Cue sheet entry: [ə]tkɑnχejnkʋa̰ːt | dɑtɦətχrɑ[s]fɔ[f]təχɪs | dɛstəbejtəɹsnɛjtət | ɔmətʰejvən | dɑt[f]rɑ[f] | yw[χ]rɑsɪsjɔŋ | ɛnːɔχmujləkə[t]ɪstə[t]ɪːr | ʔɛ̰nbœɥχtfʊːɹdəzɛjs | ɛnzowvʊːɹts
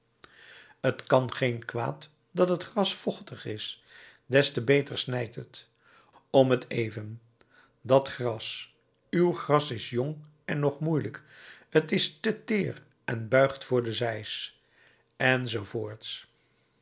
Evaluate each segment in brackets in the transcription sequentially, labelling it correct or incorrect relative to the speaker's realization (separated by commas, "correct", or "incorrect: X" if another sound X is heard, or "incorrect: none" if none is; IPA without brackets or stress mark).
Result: correct, correct, incorrect: χ, incorrect: χ, incorrect: s, correct, correct, correct